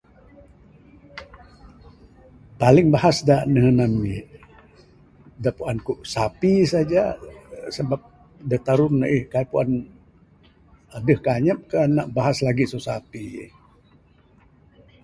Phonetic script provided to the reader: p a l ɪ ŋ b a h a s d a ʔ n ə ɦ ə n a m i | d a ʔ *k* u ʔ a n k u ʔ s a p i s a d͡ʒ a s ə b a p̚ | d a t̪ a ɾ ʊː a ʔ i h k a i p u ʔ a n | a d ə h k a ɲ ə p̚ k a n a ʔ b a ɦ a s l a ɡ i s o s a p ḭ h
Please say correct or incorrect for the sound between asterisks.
incorrect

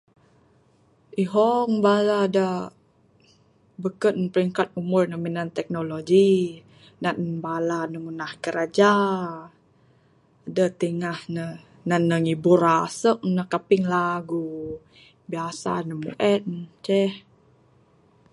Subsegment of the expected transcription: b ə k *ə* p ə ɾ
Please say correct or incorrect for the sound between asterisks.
correct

